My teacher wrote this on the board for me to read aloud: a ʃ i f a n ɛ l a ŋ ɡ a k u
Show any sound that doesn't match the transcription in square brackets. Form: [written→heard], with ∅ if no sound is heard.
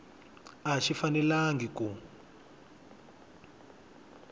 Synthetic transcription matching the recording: a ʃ i f a n ɛ l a ŋ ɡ [a→i] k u